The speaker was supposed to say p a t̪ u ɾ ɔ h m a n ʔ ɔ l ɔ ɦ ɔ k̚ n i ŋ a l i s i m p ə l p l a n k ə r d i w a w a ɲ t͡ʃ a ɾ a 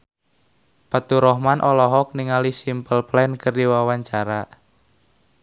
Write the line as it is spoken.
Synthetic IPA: p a t̪ u ɾ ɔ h m a n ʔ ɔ l ɔ ɦ ɔ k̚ n i ŋ a l i s i m p ə l p l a n k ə r d i w a w a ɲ t͡ʃ a ɾ a